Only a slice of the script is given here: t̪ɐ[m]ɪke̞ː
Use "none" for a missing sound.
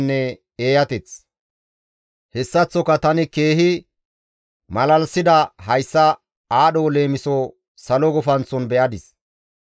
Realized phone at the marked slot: n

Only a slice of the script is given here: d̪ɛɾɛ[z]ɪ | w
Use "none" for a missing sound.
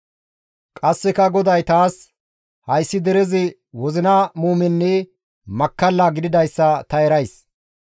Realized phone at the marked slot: z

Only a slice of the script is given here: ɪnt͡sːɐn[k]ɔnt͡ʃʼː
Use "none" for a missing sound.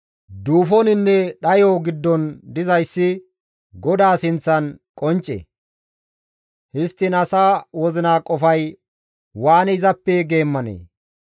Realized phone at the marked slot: kʼ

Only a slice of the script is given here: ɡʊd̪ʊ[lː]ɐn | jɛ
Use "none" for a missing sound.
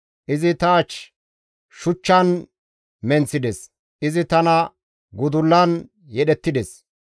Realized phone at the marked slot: lː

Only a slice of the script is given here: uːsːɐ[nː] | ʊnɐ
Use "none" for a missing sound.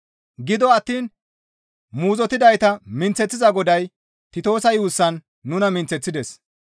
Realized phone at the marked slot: nː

